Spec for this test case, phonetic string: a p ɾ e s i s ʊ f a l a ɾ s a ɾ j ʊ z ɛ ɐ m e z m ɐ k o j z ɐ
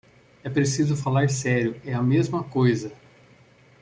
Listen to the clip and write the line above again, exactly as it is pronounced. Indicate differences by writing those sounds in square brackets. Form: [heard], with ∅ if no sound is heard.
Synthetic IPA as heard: [ɛ] p ɾ e s i [z] ʊ f a l a ɾ s [ɛ] ɾ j ʊ [∅] ɛ ɐ m e z m ɐ k o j z ɐ